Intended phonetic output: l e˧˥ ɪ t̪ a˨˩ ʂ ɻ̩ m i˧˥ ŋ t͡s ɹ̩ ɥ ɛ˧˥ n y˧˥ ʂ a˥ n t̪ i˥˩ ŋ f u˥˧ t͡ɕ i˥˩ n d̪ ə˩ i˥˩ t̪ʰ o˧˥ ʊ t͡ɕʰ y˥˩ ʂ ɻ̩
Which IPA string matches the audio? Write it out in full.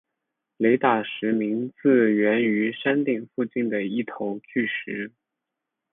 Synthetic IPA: l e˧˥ ɪ t̪ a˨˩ ʂ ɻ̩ m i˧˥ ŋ t͡s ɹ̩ ɥ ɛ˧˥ n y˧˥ ʂ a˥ n t̪ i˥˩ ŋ f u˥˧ t͡ɕ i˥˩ n d̪ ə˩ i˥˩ t̪ʰ o˧˥ ʊ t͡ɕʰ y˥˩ ʂ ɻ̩